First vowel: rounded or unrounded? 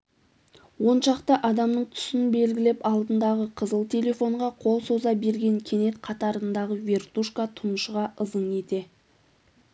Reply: rounded